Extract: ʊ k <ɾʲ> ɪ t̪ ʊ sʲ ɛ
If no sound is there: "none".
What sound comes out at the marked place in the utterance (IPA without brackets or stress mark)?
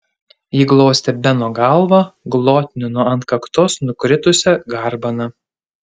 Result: ɾʲ